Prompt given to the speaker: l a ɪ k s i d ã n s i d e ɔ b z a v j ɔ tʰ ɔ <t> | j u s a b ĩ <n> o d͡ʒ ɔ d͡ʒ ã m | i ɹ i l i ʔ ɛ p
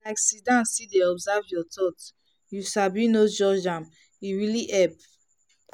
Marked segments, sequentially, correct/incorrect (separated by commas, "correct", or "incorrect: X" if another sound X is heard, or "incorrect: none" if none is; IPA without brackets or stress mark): correct, correct